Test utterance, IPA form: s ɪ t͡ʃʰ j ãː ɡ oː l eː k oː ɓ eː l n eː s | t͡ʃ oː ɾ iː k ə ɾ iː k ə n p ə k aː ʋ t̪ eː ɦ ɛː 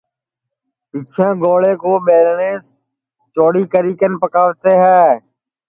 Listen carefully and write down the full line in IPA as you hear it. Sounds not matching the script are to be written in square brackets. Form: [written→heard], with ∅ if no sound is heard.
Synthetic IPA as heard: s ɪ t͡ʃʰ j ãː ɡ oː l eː k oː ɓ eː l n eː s | t͡ʃ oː [ɾ→ɽ] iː k ə ɾ iː k ə n p ə k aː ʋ t̪ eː ɦ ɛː